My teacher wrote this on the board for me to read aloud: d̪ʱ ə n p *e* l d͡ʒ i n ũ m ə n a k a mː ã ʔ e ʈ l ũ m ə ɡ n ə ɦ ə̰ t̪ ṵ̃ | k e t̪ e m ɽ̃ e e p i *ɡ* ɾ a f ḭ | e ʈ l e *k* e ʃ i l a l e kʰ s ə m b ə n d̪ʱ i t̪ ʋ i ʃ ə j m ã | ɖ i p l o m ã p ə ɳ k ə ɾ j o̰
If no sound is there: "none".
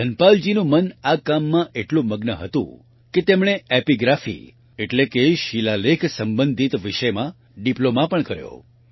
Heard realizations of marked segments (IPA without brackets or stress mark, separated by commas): a, ɡ, k